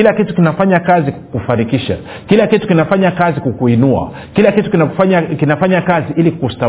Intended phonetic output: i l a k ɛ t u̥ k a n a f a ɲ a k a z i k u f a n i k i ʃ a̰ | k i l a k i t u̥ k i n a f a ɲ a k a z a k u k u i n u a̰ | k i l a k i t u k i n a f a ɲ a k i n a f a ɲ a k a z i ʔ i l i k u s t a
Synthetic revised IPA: i l a k i t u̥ k i n a f a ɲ a k a z i k u f a n i k i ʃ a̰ | k i l a k i t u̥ k i n a f a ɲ a k a z i k u k u i n u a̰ | k i l a k i t u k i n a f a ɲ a k i n a f a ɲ a k a z i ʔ i l i k u s t a